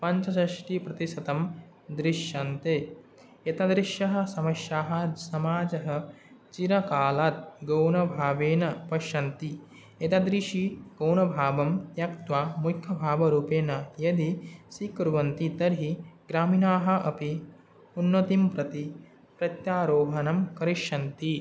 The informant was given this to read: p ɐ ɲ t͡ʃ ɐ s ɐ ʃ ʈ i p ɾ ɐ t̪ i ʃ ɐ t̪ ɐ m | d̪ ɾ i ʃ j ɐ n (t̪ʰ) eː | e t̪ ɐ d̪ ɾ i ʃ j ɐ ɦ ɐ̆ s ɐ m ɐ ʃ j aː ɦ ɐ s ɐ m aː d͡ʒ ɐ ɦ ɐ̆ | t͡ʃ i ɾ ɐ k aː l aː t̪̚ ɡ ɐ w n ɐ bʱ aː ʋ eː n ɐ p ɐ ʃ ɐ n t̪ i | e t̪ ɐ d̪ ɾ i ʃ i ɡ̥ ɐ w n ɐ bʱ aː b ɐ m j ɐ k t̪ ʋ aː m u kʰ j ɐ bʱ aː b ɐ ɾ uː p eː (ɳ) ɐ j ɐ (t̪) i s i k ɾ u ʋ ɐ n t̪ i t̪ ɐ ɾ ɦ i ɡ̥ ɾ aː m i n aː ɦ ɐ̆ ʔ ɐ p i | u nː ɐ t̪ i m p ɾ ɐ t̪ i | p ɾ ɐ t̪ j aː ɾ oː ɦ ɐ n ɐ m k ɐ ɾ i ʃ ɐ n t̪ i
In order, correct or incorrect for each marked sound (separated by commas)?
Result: incorrect, incorrect, incorrect